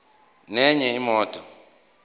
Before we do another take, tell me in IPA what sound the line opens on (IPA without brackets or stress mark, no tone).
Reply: n